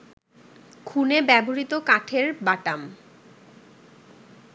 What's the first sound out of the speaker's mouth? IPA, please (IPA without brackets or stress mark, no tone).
kʰ